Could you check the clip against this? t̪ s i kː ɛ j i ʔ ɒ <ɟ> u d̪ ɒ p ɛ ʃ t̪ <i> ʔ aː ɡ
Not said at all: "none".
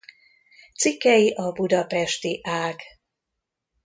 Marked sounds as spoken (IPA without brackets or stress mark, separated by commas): b, i